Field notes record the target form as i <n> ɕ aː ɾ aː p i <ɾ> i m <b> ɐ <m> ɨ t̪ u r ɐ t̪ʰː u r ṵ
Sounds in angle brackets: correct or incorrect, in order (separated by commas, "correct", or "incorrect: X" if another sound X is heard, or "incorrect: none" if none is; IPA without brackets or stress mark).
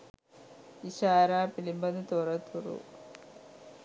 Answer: incorrect: none, incorrect: l, correct, incorrect: n